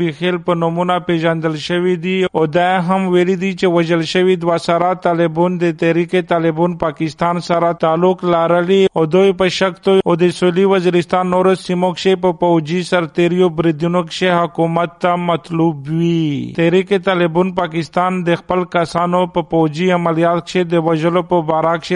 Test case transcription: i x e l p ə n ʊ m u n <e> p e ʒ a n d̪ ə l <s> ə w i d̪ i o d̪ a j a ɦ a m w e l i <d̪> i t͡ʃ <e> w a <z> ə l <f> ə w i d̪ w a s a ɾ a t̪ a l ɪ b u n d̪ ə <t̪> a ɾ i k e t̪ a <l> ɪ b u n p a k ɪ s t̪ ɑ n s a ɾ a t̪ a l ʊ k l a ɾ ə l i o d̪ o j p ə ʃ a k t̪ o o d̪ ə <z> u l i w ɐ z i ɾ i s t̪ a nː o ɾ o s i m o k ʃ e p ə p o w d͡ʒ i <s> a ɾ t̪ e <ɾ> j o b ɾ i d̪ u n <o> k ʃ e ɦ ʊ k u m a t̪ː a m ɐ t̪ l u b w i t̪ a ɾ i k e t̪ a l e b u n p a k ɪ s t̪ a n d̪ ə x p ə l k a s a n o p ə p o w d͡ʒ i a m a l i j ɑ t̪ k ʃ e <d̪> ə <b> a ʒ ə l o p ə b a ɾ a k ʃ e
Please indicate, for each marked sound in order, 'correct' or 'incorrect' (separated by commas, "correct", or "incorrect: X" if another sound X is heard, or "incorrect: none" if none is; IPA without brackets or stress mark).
incorrect: a, incorrect: ʃ, correct, correct, incorrect: ʒ, incorrect: ʃ, correct, correct, incorrect: s, correct, correct, correct, correct, incorrect: w